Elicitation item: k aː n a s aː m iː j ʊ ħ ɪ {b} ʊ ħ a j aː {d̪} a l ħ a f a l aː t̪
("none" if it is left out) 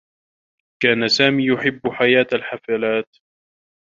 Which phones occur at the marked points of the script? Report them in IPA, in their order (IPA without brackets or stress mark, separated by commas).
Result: bː, t̪